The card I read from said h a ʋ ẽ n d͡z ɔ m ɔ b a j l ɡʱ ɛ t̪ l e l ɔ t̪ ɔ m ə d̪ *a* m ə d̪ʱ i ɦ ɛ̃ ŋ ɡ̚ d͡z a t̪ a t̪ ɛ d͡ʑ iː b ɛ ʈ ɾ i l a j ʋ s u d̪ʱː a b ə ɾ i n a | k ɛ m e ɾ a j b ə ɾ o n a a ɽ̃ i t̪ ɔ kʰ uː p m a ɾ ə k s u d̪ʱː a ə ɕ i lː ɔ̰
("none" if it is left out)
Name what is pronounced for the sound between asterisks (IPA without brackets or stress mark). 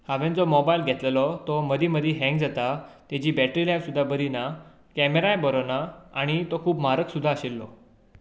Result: i